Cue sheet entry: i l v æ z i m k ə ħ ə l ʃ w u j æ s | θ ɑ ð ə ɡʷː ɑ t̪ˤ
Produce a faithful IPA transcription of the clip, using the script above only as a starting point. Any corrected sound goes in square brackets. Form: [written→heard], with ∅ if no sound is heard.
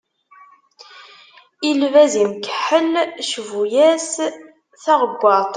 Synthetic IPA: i l v æ z i m k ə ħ ə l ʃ [w→v] u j æ s | θ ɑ [ð→ʁ] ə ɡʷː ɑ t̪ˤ